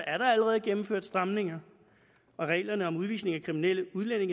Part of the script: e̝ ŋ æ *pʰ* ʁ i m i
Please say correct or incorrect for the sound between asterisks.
incorrect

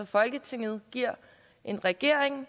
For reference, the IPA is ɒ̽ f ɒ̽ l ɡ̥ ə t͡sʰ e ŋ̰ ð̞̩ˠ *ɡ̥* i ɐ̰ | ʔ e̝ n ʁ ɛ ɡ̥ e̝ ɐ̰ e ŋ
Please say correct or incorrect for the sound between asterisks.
correct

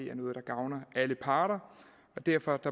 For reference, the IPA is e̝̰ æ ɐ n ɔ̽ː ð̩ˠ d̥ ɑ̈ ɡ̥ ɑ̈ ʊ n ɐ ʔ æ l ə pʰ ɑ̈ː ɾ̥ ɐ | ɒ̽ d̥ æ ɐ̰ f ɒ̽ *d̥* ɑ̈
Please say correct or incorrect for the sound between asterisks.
correct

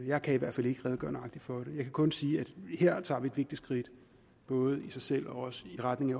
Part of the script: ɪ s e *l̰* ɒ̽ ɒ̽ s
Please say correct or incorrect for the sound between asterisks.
correct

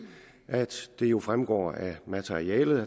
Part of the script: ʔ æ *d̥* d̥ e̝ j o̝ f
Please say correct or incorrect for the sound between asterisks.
correct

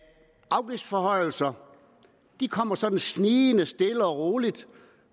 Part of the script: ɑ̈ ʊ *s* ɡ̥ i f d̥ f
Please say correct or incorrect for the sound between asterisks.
incorrect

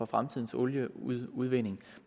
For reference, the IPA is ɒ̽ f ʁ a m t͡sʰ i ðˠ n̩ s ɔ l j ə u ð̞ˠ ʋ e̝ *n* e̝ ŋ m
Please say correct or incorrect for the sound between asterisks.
correct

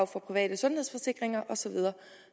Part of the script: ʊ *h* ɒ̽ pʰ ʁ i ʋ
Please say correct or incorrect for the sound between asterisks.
incorrect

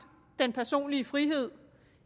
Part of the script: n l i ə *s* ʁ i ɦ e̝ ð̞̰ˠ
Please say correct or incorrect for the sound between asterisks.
incorrect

